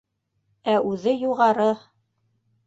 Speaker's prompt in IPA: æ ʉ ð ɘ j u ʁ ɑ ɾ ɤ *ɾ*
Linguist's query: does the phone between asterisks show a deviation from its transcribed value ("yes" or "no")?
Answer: yes